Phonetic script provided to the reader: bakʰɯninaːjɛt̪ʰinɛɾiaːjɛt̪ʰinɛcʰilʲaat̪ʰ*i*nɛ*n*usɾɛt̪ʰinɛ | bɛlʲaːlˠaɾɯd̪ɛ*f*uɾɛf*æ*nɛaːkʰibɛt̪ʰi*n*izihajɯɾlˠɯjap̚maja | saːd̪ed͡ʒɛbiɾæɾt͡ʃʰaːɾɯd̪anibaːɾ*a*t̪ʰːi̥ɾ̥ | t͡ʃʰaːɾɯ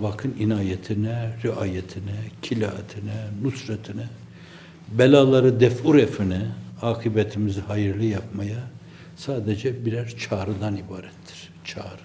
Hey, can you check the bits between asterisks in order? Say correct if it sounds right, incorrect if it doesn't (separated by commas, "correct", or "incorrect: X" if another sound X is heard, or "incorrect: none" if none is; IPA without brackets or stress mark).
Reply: correct, correct, correct, incorrect: i, incorrect: m, incorrect: ɛ